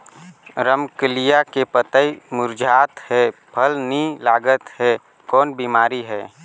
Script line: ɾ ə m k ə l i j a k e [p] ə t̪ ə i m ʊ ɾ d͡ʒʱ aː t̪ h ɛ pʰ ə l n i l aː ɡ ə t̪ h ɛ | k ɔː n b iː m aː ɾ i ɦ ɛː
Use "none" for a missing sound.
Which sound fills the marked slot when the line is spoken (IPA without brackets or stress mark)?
p